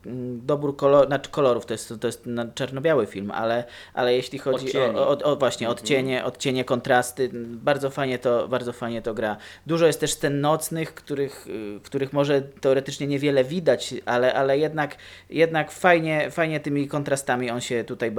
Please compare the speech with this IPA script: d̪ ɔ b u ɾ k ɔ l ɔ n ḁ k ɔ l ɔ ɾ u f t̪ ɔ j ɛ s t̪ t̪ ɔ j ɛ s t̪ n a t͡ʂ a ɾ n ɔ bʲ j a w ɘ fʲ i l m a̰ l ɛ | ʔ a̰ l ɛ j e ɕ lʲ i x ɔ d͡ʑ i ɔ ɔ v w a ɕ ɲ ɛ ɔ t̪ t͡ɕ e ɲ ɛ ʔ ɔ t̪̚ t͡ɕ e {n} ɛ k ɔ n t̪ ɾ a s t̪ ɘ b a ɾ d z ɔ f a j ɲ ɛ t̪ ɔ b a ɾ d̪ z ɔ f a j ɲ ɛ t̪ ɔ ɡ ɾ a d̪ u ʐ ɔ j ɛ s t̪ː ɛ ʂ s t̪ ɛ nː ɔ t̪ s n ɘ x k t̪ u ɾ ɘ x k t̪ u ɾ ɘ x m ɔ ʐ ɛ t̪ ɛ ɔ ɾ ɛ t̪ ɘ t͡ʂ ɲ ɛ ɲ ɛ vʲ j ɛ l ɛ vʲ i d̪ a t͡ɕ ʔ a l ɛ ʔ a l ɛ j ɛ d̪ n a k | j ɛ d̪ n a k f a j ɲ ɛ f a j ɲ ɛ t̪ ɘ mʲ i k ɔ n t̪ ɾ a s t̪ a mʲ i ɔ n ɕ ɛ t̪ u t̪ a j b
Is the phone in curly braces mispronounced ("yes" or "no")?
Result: yes